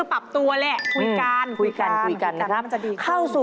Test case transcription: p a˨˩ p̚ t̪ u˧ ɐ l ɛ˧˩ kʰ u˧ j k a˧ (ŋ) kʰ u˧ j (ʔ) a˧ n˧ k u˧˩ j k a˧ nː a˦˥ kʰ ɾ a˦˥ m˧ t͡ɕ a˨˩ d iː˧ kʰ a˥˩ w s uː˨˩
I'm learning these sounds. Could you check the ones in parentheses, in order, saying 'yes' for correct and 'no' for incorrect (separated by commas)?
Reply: no, no